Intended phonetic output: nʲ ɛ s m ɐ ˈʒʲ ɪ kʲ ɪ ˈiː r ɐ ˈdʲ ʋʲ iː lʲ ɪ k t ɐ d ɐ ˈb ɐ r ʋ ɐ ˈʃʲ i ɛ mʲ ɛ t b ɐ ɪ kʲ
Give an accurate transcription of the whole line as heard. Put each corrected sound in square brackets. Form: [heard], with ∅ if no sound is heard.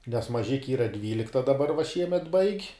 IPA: nʲ ɛ s m ɐ ˈʒʲ ɪ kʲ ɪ ˈiː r ɐ ˈdʲ ʋʲ iː lʲ ɪ k t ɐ d ɐ ˈb ɐ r ʋ ɐ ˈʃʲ i ɛ mʲ ɛ t b ɐ ɪ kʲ

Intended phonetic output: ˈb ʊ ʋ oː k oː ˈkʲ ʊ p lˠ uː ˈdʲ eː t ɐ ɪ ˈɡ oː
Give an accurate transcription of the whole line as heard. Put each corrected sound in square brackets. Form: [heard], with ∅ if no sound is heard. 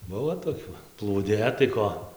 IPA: ˈb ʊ ʋ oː [t] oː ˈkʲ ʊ p lˠ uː ˈdʲ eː t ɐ ɪ [ˈk] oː

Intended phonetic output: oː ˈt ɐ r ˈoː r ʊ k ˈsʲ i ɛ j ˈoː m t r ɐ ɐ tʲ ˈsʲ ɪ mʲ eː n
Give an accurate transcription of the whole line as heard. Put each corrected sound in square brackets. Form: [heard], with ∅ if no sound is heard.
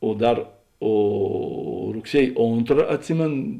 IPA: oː [ˈd] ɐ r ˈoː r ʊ k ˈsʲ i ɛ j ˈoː [n] t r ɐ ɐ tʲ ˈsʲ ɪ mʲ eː n

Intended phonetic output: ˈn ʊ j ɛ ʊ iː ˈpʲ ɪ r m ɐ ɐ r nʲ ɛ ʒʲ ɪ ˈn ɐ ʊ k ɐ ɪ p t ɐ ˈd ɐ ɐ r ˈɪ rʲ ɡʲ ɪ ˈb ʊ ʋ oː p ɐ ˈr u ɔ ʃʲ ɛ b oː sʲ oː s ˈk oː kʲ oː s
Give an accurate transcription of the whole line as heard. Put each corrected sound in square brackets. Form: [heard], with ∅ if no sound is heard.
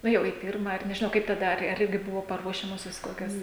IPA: ˈn ʊ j ɛ ʊ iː ˈpʲ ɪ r m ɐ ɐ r nʲ ɛ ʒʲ ɪ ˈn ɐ ʊ k ɐ ɪ p t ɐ ˈd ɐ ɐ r ˈɪ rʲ ɡʲ ɪ ˈb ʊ ʋ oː p ɐ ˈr u ɔ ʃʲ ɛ [m] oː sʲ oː s ˈk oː kʲ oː s

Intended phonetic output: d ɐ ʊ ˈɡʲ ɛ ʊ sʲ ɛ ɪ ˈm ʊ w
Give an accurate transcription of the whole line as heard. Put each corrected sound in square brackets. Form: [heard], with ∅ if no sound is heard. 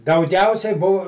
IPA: d ɐ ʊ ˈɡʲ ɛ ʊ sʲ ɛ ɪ [ˈb] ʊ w

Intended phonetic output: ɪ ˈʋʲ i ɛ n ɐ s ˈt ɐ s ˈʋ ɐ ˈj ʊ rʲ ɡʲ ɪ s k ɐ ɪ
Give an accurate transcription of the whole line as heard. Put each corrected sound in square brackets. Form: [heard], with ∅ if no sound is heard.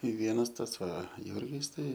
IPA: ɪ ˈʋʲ i ɛ n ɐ s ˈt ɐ s ˈʋ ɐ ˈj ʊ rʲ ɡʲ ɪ s [t] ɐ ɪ

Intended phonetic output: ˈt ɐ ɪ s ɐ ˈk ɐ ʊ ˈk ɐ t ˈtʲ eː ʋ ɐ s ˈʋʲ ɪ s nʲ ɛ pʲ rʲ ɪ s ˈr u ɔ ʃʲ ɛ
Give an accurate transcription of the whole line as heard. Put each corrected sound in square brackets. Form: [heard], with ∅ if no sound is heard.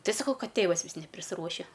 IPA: ˈt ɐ ɪ s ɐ ˈk ɐ ʊ ˈk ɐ t ˈtʲ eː ʋ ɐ s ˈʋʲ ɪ s nʲ ɛ pʲ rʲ ɪ s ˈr u ɔ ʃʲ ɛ

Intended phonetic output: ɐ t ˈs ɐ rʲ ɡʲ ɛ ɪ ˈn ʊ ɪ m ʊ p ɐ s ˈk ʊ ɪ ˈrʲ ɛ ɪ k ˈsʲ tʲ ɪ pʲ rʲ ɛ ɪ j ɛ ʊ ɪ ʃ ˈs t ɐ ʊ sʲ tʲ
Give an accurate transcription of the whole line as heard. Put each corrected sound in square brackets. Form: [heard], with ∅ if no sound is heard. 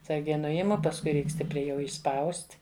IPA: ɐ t ˈs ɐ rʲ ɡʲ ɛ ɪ ˈn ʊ ɪ m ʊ p ɐ s ˈk ʊ ɪ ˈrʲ ɛ ɪ k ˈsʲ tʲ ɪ pʲ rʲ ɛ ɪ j ɛ ʊ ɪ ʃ ˈs [p] ɐ ʊ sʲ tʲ

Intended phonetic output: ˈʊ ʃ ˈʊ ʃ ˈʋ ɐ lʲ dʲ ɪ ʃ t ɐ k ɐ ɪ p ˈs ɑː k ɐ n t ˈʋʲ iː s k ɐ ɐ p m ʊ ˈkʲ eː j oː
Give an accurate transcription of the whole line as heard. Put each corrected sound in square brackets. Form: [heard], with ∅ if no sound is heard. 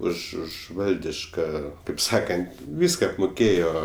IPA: ˈʊ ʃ ˈʊ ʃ ˈʋ ɐ lʲ dʲ ɪ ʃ [k] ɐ k ɐ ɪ p ˈs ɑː k ɐ n t ˈʋʲ iː s k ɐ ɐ p m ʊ ˈkʲ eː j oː

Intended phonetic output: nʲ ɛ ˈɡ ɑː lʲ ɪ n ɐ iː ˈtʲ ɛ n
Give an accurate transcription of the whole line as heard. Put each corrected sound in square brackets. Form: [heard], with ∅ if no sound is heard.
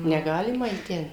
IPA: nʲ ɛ ˈɡ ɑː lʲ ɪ [m] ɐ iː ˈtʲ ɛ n

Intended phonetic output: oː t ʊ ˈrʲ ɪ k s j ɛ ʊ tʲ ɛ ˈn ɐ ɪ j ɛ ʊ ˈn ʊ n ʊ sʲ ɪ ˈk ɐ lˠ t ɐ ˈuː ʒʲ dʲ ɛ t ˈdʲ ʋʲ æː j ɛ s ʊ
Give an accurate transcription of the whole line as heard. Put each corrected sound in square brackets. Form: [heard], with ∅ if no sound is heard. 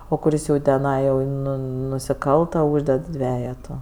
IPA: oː [k] ʊ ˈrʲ ɪ [∅] s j ɛ ʊ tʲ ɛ ˈn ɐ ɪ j ɛ ʊ ˈn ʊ n ʊ sʲ ɪ ˈk ɐ lˠ t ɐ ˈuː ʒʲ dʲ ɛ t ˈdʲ ʋʲ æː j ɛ [t] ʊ

